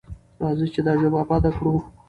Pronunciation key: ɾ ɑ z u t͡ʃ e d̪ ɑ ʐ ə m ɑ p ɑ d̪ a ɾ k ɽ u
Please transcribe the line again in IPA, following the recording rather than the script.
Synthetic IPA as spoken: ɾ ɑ z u t͡ʃ e d̪ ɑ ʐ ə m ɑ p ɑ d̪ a k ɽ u